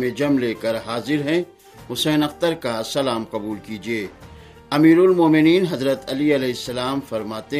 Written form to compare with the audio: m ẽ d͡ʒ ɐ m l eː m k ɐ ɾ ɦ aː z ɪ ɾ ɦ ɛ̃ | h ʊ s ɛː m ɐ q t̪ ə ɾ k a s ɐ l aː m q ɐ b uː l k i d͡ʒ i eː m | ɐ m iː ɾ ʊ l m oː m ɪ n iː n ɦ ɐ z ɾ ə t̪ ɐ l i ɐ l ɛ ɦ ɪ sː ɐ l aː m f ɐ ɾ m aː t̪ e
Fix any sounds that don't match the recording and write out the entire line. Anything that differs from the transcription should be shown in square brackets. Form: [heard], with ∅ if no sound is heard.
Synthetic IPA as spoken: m ẽ d͡ʒ ɐ m l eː [∅] k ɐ ɾ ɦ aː z ɪ ɾ ɦ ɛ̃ | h ʊ s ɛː [n] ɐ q t̪ ə ɾ k a s ɐ l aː m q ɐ b uː l k i d͡ʒ i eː [∅] | ɐ m iː ɾ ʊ l m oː m ɪ n iː n ɦ ɐ z ɾ ə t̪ ɐ l i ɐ l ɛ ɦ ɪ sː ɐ l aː m f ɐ ɾ m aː t̪ e